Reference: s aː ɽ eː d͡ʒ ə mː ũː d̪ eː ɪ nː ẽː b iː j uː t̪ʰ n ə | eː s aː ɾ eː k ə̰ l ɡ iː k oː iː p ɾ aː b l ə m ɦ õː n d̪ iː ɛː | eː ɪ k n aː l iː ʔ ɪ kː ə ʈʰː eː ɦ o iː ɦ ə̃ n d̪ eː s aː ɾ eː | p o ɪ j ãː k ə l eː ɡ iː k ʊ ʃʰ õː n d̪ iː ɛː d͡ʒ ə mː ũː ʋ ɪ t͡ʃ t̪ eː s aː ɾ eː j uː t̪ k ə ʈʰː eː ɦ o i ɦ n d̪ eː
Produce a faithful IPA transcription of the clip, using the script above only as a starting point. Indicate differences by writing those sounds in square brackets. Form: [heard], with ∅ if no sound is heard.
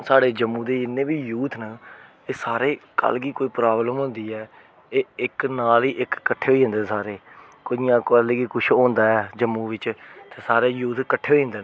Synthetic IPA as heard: s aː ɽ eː d͡ʒ ə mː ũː d̪ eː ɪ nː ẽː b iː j uː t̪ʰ n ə | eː s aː ɾ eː k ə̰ l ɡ iː k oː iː p ɾ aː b l ə m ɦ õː n d̪ iː ɛː | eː ɪ k n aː l iː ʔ ɪ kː ə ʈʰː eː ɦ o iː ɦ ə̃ n d̪ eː s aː ɾ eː | [k] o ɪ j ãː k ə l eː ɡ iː k ʊ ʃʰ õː n d̪ [aː] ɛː d͡ʒ ə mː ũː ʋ ɪ t͡ʃ t̪ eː s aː ɾ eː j uː t̪ k ə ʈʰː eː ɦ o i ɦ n d̪ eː